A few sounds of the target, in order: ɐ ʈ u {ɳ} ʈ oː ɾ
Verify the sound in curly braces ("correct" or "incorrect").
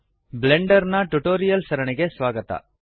incorrect